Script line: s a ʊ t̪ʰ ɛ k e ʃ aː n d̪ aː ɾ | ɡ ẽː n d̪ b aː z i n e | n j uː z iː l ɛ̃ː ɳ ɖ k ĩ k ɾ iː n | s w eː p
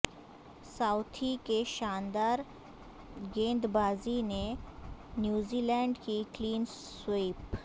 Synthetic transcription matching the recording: s a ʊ t̪ʰ i k e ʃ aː n d̪ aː ɾ | ɡ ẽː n d̪ b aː z i n e | n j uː z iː l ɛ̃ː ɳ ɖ k i k l iː n | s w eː p